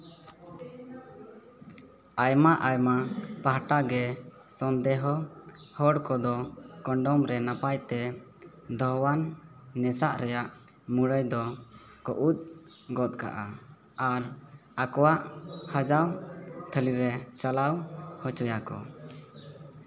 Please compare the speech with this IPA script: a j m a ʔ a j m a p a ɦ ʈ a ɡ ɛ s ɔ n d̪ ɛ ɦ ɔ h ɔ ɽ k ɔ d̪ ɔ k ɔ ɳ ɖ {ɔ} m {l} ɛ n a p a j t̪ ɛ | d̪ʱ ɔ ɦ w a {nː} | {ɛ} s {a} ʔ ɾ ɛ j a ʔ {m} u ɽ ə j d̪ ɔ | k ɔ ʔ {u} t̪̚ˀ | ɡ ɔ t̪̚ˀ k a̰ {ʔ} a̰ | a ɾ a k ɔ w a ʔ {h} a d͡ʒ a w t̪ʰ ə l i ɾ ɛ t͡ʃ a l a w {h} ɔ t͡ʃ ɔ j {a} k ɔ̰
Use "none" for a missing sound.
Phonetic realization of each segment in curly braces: ɔ, ɾ, nː, ɛ, a, m, u, ʔ, h, h, a

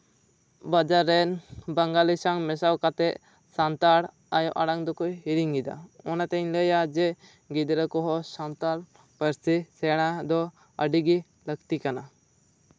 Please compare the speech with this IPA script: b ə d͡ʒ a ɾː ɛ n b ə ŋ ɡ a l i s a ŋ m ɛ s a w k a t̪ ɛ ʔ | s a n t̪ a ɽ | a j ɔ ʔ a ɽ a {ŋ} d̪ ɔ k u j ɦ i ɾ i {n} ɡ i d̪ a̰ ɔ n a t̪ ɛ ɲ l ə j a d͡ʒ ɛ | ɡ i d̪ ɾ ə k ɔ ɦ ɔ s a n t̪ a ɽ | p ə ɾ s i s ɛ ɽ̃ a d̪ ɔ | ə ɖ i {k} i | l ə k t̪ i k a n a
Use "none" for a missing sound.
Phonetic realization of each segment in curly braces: ŋ, ŋ, ɡ

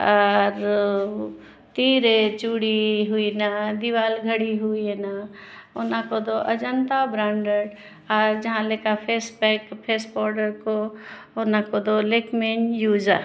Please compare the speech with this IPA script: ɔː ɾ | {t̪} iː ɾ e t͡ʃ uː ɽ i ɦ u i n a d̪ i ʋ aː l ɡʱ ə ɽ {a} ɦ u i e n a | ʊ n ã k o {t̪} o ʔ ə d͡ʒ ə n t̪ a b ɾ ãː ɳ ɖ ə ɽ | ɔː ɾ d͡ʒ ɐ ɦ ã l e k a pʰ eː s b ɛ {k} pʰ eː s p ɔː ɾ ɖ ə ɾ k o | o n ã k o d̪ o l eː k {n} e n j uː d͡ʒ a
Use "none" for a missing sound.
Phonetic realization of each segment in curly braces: t̪, i, d̪, k, m

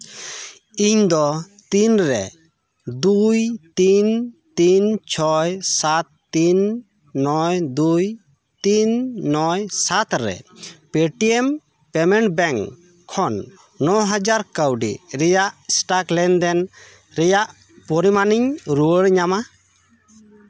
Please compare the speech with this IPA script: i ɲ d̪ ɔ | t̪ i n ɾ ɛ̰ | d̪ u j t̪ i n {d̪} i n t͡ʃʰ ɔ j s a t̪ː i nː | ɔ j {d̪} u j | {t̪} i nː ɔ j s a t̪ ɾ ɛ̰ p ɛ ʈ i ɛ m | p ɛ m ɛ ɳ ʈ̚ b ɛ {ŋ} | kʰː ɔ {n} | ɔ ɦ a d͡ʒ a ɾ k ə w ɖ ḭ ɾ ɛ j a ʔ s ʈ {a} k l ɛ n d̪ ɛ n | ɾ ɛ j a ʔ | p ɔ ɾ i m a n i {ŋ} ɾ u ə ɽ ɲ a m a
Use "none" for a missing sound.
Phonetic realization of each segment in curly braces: t̪, d̪, t̪, ŋ, nː, a, ɲ

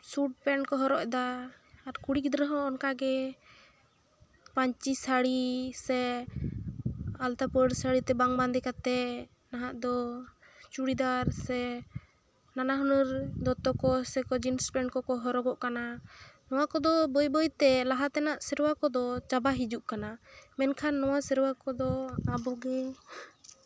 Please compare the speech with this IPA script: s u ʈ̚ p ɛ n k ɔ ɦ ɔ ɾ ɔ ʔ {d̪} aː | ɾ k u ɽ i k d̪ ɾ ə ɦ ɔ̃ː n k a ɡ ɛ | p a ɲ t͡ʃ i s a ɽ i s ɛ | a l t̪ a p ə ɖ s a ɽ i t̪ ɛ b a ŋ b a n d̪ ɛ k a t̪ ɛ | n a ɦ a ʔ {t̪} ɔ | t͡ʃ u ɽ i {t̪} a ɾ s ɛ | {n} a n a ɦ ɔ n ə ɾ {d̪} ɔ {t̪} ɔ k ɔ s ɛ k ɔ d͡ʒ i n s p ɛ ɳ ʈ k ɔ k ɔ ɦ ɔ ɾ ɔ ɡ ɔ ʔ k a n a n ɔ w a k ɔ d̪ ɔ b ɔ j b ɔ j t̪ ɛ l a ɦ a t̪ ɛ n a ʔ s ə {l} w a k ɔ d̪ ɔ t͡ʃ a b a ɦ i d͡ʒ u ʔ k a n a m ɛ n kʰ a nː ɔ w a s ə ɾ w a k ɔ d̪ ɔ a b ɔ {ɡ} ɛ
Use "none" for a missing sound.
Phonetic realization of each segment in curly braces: d̪, d̪, d̪, n, d̪, t̪, ɾ, ɡ

